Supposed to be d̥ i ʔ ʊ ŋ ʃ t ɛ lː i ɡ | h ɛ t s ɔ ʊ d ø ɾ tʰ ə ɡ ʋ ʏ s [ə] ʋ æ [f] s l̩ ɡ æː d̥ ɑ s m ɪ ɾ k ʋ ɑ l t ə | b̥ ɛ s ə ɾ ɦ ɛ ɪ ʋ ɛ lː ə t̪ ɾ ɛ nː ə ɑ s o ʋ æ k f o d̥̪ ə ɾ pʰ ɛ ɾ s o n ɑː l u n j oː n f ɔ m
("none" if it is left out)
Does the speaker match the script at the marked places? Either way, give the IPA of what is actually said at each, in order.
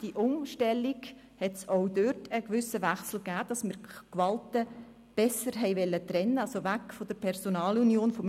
ə, χ

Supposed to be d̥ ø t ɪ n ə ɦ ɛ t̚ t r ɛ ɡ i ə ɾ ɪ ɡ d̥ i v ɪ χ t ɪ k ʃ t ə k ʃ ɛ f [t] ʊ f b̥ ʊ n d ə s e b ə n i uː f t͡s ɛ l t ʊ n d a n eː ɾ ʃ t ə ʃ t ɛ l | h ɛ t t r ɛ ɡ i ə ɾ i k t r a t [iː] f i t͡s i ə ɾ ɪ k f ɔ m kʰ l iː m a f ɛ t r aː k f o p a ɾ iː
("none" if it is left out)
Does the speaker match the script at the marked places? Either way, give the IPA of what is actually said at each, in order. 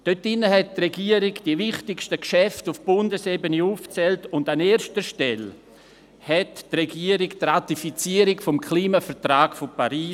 t, i

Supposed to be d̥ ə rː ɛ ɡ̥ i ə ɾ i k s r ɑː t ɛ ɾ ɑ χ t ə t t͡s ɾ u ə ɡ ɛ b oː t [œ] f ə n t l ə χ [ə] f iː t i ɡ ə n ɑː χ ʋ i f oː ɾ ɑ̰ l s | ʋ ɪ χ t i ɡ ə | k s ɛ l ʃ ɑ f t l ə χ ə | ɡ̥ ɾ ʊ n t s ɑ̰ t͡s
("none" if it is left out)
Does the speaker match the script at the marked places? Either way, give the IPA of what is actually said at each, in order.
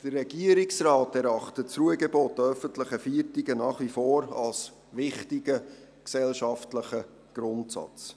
œ, ə

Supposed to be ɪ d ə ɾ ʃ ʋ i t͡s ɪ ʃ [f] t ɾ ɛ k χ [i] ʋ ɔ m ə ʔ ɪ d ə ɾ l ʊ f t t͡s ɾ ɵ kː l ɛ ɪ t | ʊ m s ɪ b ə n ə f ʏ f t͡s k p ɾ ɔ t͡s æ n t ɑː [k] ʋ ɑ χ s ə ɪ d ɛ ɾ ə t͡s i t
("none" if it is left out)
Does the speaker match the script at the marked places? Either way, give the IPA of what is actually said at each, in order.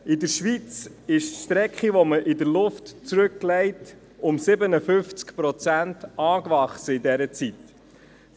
ʃ, i, k

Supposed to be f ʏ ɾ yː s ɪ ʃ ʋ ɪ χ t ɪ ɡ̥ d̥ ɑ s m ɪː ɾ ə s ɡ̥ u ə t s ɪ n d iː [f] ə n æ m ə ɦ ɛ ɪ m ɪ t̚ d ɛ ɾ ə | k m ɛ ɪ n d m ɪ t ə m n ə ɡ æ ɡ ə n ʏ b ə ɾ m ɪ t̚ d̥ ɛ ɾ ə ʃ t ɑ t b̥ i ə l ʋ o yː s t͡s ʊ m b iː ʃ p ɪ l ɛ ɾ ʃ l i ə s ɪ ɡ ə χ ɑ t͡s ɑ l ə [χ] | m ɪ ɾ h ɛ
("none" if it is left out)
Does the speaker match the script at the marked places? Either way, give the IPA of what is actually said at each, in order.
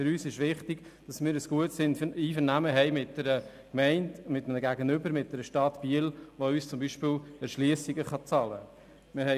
f, none

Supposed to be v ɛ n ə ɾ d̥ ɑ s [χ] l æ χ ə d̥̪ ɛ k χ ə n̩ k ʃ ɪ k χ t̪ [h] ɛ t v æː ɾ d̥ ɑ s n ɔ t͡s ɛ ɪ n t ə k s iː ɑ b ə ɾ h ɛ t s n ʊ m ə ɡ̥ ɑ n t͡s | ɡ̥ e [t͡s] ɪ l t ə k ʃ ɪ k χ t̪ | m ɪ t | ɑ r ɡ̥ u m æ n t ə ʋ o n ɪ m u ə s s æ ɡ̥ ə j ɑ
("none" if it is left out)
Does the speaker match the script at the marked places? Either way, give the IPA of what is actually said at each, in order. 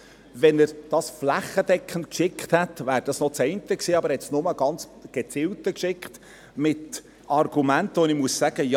f, h, t͡s

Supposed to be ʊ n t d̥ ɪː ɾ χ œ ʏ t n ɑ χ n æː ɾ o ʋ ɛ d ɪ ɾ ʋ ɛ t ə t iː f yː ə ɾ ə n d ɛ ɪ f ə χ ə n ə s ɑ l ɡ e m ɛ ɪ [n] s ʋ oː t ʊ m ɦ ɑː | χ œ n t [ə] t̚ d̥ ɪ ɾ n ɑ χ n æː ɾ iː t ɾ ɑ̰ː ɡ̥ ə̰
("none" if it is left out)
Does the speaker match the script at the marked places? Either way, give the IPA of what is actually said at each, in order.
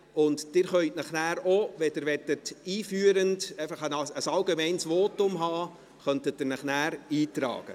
n, ə

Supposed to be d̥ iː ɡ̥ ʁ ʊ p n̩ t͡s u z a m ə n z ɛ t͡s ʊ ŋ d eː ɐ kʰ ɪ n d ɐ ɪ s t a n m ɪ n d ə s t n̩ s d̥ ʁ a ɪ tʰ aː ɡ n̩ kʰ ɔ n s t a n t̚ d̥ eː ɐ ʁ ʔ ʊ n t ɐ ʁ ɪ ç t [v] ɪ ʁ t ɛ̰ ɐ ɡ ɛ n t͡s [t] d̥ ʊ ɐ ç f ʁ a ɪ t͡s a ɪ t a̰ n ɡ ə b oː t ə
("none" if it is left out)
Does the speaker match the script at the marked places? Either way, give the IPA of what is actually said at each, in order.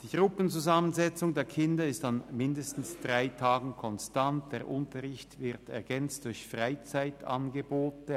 v, t

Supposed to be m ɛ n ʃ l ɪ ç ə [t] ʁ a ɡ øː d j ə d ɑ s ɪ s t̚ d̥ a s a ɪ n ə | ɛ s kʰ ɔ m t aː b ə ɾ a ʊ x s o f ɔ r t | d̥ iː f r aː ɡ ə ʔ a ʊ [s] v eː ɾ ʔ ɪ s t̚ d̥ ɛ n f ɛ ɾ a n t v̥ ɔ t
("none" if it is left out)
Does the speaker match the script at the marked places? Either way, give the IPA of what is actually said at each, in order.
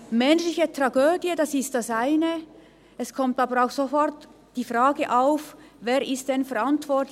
t, f

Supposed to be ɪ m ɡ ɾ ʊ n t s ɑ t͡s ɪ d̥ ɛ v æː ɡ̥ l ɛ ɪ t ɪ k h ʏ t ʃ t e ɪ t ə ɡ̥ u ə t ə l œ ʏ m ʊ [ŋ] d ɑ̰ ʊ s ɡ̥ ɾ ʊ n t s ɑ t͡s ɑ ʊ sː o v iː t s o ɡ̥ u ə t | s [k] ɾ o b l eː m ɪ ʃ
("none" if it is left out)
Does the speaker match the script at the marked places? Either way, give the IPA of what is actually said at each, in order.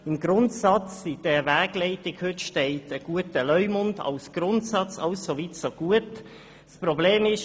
n, p

